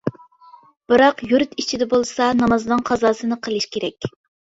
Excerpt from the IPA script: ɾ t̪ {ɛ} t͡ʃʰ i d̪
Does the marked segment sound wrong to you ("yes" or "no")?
yes